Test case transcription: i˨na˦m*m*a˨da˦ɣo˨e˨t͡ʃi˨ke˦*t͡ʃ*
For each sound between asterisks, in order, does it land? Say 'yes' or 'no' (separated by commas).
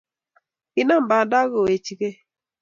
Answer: no, no